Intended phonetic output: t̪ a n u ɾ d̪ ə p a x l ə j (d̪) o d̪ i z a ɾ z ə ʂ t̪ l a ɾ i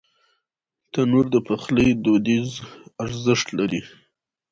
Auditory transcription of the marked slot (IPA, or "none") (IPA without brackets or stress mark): d̪